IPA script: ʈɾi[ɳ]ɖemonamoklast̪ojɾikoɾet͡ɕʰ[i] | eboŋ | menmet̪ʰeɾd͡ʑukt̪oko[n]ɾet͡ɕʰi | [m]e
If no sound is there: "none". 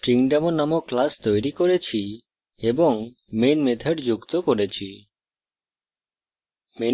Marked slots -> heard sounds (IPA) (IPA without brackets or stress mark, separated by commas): ŋ, i, none, m